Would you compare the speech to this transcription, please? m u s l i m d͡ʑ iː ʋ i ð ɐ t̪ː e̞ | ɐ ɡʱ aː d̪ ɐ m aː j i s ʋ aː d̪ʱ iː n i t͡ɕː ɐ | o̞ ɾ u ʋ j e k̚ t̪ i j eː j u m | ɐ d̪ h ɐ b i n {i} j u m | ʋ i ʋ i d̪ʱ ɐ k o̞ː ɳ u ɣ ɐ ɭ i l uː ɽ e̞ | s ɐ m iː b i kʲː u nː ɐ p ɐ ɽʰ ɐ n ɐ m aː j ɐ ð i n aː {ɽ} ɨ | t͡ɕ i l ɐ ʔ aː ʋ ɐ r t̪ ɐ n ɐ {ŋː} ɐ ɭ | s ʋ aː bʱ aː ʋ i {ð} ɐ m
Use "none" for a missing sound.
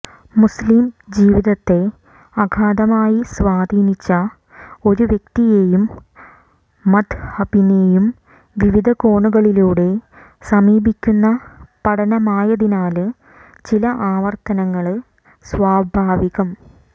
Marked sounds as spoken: e, l, ŋː, ɣ

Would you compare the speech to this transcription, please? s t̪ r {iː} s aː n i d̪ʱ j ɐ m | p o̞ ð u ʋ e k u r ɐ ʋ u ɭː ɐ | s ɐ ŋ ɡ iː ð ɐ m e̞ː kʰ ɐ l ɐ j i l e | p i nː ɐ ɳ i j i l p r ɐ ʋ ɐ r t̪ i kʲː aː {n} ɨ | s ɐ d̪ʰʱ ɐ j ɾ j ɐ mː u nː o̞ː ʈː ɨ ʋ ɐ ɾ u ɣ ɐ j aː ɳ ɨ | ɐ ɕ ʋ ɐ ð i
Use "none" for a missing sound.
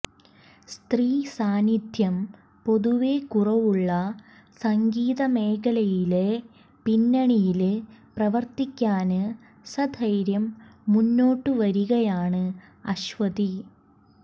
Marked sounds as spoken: iː, n

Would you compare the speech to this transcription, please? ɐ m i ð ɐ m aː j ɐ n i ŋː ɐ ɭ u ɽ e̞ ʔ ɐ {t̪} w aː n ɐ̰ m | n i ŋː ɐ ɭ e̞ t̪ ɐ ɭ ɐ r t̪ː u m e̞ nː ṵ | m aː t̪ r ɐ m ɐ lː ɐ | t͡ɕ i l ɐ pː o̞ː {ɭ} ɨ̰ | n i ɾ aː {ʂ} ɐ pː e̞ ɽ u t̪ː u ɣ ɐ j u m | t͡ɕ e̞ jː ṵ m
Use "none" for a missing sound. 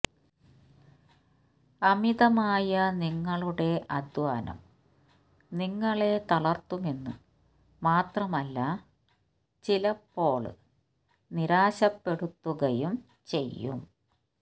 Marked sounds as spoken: d̪, ɭ, ɕ

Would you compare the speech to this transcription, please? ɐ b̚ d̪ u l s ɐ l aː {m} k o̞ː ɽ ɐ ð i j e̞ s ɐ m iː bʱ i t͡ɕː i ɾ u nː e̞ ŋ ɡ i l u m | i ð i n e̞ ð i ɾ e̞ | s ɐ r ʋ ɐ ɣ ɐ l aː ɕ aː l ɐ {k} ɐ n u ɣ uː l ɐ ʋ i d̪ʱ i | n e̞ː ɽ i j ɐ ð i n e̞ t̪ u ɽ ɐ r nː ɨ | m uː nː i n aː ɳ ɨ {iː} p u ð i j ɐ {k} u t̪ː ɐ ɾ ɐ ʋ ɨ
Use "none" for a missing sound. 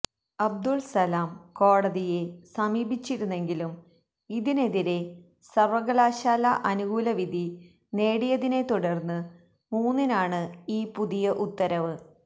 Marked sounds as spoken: m, ʔ, iː, ʔ

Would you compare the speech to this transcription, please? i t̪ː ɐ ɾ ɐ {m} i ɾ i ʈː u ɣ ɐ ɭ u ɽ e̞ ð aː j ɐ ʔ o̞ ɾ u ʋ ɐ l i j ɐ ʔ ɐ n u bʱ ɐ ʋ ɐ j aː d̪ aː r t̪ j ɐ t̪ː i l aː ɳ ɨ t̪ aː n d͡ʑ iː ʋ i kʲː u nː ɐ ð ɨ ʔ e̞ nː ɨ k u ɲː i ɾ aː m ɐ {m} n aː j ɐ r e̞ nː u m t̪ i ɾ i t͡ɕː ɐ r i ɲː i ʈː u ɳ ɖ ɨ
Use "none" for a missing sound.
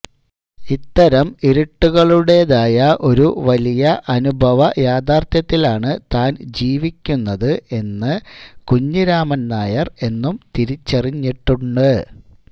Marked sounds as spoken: m, n

